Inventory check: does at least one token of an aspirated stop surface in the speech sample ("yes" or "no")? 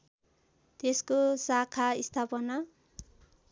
yes